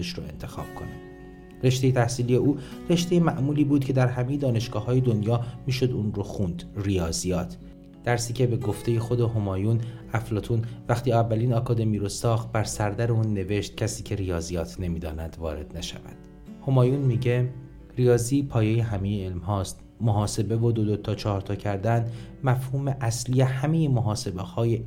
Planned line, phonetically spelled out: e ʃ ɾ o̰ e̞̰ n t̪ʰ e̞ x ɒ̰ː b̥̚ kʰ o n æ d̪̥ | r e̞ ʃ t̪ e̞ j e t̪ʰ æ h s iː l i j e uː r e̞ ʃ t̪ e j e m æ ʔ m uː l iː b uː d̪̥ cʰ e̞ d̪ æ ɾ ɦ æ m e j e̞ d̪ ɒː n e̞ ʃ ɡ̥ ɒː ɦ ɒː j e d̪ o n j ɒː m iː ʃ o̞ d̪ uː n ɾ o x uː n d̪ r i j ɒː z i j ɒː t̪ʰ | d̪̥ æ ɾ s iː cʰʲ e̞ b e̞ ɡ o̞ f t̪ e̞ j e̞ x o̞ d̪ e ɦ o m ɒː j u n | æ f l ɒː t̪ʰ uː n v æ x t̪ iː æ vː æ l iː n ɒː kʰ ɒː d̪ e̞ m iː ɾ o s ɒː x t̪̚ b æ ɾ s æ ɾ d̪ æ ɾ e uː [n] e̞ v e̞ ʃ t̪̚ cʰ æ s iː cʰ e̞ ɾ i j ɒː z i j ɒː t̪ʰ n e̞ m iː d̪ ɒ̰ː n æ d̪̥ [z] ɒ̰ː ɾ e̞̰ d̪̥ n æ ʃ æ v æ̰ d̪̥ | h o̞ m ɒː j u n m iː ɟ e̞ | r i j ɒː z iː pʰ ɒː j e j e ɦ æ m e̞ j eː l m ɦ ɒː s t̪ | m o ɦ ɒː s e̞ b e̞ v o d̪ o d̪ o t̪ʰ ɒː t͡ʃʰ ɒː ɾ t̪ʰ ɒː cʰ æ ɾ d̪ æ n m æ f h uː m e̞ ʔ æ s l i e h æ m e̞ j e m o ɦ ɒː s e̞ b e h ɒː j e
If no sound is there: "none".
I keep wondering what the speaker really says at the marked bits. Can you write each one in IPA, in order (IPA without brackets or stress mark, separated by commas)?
nː, v